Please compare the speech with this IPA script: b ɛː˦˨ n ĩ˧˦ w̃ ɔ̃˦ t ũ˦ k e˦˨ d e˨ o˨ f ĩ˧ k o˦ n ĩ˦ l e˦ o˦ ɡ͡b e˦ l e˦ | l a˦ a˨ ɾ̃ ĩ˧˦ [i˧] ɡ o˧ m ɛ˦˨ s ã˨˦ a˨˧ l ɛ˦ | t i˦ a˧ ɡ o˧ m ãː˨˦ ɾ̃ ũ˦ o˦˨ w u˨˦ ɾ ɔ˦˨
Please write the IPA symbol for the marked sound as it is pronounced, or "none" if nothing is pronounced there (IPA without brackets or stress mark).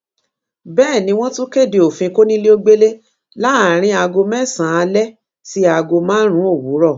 a˧